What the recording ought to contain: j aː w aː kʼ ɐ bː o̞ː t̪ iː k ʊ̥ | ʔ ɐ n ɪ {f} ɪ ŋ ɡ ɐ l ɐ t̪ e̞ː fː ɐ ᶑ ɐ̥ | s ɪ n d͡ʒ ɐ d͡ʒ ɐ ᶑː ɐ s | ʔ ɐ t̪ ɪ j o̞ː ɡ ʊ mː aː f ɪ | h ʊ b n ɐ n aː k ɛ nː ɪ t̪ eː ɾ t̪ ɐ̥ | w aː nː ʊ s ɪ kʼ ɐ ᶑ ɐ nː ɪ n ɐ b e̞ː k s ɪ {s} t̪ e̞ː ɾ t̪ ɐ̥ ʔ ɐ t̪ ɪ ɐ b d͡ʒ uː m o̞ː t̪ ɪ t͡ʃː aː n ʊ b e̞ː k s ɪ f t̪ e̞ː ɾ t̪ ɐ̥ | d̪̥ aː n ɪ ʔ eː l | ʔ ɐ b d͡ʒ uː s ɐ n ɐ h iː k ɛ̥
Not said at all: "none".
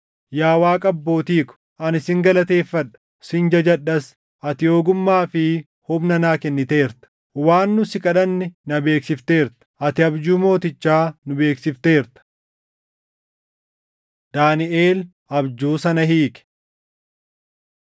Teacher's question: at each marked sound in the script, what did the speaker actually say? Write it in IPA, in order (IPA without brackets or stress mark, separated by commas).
s, f